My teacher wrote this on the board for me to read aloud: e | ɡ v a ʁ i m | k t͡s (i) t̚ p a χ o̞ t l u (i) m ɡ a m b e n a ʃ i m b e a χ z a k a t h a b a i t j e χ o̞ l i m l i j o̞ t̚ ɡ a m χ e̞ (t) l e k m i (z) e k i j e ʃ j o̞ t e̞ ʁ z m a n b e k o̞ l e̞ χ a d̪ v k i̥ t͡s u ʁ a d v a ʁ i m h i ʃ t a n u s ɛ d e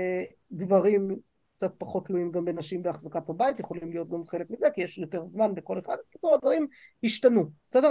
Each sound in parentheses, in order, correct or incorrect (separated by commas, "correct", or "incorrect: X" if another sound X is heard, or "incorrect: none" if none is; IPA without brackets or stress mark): incorrect: a, correct, incorrect: none, correct